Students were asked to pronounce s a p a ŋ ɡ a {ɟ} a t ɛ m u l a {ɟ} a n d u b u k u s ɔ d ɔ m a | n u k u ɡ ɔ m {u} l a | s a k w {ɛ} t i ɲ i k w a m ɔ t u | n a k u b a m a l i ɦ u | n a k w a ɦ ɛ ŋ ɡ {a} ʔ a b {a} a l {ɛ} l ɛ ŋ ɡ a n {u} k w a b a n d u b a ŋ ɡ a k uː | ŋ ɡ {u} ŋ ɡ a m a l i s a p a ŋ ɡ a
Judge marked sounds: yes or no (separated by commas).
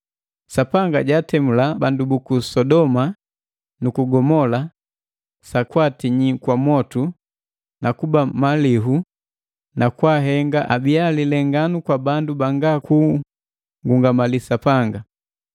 yes, no, no, no, yes, no, no, yes, yes